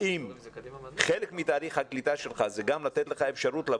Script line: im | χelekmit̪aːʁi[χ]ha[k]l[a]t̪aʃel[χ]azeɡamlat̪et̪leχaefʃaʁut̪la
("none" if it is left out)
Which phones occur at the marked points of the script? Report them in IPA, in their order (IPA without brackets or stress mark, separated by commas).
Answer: χ, k, i, χ